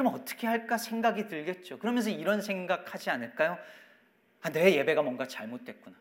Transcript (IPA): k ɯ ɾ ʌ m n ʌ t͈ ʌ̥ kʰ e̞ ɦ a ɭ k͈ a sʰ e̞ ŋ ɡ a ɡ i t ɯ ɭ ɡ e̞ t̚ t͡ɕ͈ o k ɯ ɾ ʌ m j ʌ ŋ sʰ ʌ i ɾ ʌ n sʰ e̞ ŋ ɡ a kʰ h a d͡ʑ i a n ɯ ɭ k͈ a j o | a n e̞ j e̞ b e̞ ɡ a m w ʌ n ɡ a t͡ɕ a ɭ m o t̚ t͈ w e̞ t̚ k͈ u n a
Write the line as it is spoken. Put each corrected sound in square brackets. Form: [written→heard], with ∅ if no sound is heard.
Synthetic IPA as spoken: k ɯ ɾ ʌ m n ʌ t͈ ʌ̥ kʰ e̞ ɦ a ɭ k͈ a sʰ e̞ ŋ ɡ a ɡ i t ɯ ɭ ɡ e̞ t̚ t͡ɕ͈ o k ɯ ɾ ʌ m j ʌ [ŋ→n] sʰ ʌ i ɾ ʌ n sʰ e̞ ŋ ɡ a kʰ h a d͡ʑ i a n ɯ ɭ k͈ a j o | a n e̞ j e̞ b e̞ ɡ a m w ʌ [n→ŋ] ɡ a t͡ɕ a ɭ m o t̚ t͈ w e̞ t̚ k͈ u n a